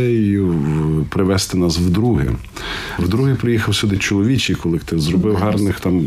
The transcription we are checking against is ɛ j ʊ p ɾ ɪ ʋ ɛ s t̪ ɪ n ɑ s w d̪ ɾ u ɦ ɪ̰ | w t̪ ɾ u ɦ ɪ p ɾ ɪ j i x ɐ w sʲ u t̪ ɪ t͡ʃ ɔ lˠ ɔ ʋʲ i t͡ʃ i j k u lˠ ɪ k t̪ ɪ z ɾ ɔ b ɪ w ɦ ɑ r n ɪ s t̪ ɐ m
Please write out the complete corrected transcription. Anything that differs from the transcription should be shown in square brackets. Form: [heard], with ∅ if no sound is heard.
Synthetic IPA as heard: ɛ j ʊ p ɾ ɪ ʋ ɛ s t̪ ɪ n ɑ s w d̪ ɾ u ɦ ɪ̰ | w [d̪] ɾ u ɦ ɪ p ɾ ɪ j i x ɐ w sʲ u [d̪] ɪ t͡ʃ ɔ lˠ ɔ ʋʲ i t͡ʃ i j k [ɔ] lˠ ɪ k t̪ ɪ z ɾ ɔ b ɪ w ɦ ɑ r n ɪ [x] t̪ [ɑ] m